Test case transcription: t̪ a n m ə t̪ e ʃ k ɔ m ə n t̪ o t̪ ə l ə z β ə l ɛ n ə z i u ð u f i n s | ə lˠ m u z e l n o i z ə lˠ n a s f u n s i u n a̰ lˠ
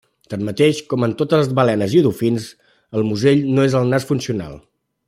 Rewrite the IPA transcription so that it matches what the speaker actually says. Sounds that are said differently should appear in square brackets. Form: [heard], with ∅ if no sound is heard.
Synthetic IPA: t̪ a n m ə t̪ e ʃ k ɔ m ə n t̪ o t̪ ə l ə z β ə l ɛ n ə z i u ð u f i n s | ə lˠ m u z e [ʎ] n o [e] z ə lˠ n a s f u n s i u n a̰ lˠ